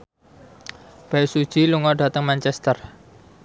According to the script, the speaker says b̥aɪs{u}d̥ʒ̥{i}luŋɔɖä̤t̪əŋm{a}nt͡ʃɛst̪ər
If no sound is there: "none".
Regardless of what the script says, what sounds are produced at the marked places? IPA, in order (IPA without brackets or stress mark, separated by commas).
u, i, a